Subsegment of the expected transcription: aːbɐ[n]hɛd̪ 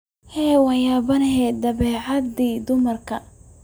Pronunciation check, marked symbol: correct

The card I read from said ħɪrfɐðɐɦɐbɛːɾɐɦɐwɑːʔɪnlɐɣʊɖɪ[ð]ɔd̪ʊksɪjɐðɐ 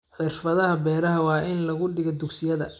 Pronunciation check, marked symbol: incorrect: ɣ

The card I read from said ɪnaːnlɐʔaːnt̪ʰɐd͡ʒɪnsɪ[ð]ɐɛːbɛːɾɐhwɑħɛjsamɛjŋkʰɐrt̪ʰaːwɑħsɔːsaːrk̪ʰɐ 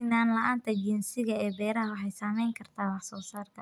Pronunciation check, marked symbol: incorrect: ɣ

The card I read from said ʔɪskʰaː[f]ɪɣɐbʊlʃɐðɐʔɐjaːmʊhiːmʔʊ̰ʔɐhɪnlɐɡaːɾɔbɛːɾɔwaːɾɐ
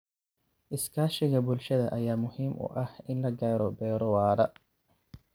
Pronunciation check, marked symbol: incorrect: ʃ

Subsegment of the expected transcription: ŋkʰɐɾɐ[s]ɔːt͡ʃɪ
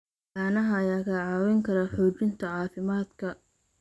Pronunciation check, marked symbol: incorrect: ħ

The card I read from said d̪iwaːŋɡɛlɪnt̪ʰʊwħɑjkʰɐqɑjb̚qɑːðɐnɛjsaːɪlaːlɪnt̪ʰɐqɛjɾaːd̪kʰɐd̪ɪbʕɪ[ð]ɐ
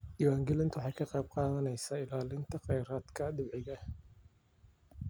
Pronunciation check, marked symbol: incorrect: ɣ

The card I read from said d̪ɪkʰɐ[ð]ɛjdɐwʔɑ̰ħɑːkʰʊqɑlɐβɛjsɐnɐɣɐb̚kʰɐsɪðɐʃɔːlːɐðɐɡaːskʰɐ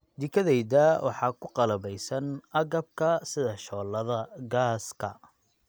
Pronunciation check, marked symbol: correct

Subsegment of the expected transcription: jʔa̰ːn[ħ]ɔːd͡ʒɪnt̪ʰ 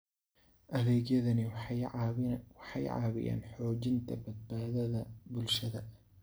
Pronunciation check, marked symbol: correct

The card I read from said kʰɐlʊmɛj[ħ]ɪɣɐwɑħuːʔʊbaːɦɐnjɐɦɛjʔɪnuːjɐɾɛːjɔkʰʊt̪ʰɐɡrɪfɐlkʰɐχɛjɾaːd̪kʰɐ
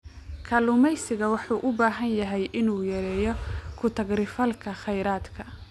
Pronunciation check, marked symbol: incorrect: s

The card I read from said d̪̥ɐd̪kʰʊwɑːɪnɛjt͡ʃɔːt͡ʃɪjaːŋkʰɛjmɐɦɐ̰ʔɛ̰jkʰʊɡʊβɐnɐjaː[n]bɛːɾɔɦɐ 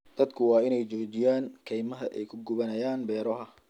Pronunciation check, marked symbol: correct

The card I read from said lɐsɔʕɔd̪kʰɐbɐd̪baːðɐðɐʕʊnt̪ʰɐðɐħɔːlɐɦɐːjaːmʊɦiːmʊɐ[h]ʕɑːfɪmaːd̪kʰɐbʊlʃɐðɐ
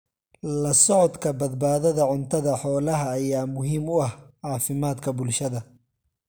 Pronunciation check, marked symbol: correct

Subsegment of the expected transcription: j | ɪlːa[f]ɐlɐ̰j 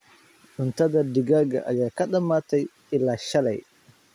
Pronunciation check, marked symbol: incorrect: ʃ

